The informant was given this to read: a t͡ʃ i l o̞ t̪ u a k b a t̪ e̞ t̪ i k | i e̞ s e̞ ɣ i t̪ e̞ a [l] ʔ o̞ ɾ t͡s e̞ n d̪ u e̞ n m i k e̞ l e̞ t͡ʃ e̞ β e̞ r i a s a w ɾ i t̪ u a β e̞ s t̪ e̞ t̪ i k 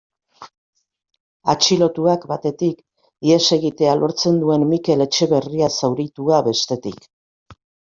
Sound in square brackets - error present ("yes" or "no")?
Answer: no